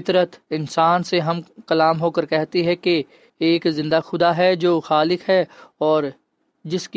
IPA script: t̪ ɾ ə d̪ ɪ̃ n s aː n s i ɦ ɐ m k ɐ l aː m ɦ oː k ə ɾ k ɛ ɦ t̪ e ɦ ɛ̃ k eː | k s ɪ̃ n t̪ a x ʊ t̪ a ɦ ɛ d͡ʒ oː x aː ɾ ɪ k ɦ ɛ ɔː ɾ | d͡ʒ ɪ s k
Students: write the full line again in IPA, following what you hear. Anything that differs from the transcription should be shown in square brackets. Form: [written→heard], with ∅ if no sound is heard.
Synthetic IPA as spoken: t̪ ɾ ə [d̪→t̪] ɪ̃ n s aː n s [i→e] ɦ ɐ m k ɐ l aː m ɦ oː k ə ɾ k ɛ ɦ t̪ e ɦ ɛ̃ k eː | k [s→z] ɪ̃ n [t̪→d̪] a x ʊ [t̪→d̪] a ɦ ɛ d͡ʒ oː x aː [ɾ→l] ɪ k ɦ ɛ ɔː ɾ | d͡ʒ ɪ s k